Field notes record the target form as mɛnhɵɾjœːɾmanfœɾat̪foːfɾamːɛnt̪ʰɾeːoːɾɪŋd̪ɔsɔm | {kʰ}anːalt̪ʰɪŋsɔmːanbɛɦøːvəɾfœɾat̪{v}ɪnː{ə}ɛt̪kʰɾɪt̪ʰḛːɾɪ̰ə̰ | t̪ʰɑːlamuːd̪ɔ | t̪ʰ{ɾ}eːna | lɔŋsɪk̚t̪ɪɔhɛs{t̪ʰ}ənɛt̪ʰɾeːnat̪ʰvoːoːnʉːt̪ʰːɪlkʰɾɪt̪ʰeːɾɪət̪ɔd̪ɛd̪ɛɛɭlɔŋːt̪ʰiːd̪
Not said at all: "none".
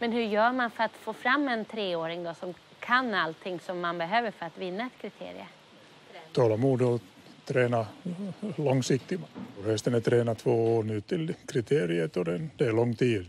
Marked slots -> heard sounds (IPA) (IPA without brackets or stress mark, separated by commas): kʰ, v, a, ɾ, t̪